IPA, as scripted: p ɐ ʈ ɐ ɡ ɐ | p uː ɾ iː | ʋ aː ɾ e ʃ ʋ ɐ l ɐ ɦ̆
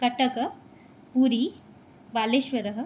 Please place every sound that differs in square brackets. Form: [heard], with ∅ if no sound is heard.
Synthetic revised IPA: [k] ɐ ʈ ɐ [k] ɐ | p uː ɾ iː | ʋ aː [l] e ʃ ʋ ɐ [ɾ] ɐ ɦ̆